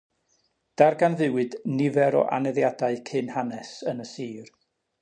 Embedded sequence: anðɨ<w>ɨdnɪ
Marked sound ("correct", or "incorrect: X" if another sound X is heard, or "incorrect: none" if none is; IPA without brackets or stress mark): correct